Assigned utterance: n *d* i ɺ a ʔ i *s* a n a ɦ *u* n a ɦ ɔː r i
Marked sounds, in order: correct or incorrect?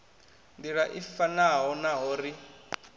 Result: correct, incorrect: f, incorrect: ɔ

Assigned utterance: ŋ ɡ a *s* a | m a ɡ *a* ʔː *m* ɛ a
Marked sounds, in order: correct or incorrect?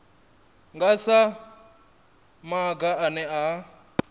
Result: correct, correct, incorrect: n

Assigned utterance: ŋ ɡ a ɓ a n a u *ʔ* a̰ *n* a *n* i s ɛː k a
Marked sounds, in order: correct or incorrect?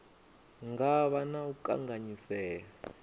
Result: incorrect: k, incorrect: ŋ, incorrect: ɲ

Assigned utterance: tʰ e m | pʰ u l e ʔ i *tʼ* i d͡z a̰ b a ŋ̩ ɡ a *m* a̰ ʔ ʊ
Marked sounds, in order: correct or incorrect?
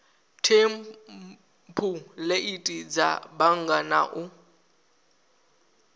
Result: correct, incorrect: n

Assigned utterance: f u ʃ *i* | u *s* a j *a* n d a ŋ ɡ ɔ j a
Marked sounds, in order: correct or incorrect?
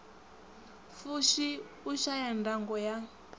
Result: correct, incorrect: ʃ, correct

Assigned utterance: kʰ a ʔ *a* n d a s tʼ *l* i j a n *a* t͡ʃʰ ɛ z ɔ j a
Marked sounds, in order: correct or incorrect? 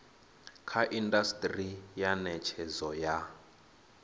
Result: incorrect: i, incorrect: r, incorrect: ɛ

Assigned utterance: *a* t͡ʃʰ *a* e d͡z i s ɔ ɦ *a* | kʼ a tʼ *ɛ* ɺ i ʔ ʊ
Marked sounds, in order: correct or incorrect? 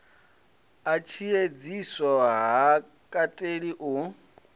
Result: correct, incorrect: i, correct, incorrect: e

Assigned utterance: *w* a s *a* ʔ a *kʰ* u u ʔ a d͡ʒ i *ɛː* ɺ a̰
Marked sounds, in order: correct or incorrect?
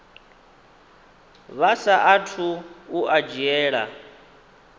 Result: incorrect: β, correct, incorrect: tʰ, correct

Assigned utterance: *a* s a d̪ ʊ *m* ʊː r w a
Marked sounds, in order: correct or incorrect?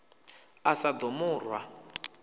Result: correct, correct

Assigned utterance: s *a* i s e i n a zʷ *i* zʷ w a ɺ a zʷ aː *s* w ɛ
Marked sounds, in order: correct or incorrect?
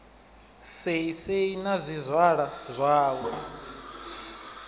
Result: incorrect: e, correct, incorrect: none

